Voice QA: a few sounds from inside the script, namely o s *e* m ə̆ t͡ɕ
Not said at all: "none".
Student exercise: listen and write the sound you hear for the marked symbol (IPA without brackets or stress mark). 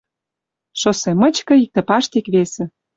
e